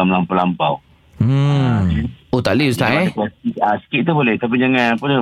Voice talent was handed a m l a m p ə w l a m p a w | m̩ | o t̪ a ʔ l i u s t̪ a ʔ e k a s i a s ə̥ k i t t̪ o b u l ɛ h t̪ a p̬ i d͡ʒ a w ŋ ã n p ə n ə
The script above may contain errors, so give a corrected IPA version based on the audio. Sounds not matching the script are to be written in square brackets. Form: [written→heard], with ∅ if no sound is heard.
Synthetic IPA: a m l a m p [ə→a] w l a m p a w | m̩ | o t̪ a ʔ l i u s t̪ a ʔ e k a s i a s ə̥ k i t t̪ [o→u] b [u→o] l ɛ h t̪ a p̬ i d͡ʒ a [w→∅] ŋ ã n p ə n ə